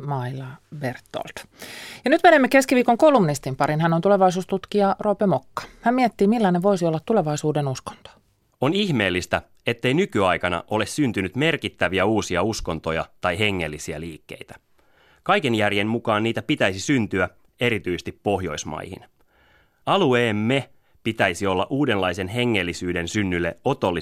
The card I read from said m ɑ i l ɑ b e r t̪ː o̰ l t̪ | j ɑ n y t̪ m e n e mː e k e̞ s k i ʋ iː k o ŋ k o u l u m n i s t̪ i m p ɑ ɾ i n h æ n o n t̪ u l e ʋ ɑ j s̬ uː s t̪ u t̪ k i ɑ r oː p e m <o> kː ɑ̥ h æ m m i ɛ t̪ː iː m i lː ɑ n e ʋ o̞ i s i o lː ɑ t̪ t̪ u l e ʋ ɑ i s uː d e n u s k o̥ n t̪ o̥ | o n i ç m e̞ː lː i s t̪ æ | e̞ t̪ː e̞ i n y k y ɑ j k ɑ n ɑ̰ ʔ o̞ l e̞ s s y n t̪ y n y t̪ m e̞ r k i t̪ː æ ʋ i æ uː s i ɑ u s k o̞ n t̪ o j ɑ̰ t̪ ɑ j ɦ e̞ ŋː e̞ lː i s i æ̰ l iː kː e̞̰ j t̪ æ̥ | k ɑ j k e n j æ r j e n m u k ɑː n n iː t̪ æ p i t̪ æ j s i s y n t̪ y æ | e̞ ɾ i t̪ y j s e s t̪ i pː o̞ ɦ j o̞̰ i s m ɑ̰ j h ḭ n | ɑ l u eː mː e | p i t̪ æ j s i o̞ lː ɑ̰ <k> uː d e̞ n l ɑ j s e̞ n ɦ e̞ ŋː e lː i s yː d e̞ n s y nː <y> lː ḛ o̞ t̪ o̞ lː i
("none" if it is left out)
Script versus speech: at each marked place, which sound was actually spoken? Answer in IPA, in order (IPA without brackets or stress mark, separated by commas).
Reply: o, ʔ, y